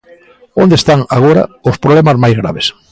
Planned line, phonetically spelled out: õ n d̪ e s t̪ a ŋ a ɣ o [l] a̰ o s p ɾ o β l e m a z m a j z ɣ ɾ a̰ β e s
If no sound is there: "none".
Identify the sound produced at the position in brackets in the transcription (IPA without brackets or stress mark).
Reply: ɾ